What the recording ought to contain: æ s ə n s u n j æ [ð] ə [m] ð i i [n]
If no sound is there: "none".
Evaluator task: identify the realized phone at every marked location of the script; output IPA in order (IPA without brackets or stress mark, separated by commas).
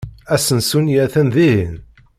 θ, n, n